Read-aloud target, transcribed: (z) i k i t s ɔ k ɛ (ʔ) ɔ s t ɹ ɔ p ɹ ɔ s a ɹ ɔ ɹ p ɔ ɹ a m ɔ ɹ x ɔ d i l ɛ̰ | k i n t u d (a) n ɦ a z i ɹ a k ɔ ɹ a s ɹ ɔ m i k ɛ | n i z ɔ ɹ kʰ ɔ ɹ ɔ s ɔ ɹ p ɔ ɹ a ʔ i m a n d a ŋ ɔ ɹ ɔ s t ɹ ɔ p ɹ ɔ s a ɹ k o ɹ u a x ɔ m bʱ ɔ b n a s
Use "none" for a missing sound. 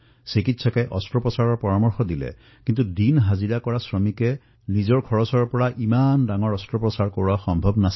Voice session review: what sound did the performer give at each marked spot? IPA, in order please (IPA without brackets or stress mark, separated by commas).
s, ʔ, i